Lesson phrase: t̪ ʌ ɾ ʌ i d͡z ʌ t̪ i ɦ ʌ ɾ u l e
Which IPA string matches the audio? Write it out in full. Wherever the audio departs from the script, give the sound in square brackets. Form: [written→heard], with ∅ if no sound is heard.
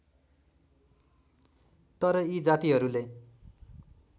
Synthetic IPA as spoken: t̪ ʌ ɾ ʌ i d͡z [ʌ→a] t̪ i ɦ ʌ ɾ u l e